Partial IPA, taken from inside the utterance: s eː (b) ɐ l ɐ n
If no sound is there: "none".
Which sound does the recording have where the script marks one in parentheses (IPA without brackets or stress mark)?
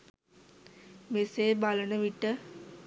b